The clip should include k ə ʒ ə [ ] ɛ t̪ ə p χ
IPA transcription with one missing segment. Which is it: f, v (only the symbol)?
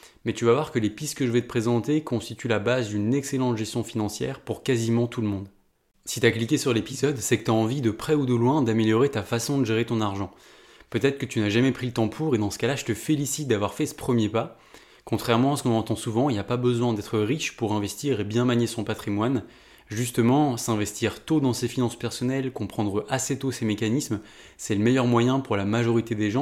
v